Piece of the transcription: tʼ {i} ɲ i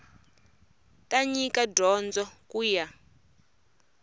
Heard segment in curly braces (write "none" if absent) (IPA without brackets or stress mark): a